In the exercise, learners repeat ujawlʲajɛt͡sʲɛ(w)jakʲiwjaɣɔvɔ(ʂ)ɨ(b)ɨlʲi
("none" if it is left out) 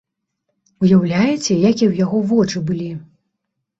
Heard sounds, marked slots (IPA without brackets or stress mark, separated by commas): none, t͡ʂ, b